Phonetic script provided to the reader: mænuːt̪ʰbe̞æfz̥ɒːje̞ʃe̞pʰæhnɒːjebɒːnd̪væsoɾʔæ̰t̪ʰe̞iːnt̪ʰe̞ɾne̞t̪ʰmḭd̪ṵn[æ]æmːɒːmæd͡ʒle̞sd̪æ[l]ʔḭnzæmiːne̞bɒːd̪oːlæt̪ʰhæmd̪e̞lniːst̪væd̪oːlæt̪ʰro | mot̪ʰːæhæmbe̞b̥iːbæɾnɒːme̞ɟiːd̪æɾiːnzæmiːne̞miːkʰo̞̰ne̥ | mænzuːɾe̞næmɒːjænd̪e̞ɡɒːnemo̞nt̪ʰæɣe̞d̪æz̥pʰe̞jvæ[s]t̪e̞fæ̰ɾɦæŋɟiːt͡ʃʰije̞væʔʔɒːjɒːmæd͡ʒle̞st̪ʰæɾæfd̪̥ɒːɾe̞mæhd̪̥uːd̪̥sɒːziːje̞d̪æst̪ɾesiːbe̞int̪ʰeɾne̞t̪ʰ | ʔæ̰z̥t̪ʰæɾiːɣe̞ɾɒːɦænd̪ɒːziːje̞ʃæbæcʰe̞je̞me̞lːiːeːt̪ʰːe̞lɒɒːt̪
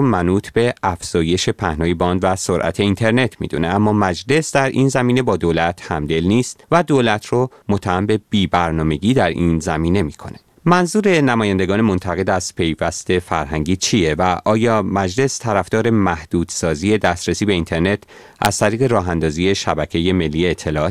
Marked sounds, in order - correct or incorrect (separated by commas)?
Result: incorrect, incorrect, correct